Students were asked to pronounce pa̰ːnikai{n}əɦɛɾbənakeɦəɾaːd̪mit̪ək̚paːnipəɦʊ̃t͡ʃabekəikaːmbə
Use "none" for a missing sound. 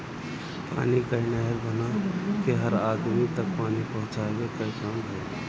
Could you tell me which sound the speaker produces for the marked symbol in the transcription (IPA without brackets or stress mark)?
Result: n